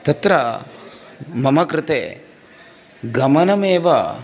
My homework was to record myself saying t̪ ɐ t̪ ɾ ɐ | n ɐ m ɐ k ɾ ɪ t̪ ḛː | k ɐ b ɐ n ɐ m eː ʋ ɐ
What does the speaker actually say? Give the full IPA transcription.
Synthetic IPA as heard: t̪ ɐ t̪ ɾ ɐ | m ɐ m ɐ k ɾ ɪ t̪ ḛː | ɡ ɐ m ɐ n ɐ m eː ʋ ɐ